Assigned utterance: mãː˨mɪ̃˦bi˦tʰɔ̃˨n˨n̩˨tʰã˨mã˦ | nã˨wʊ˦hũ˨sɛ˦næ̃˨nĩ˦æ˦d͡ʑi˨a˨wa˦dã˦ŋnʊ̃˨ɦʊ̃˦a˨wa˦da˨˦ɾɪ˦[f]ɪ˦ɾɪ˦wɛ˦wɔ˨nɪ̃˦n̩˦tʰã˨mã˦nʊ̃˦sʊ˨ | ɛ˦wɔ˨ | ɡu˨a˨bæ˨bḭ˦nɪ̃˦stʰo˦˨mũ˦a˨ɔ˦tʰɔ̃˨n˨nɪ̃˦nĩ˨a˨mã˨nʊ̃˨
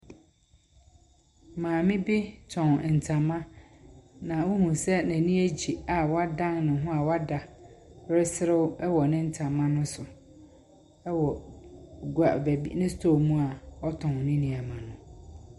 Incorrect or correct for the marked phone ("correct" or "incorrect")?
incorrect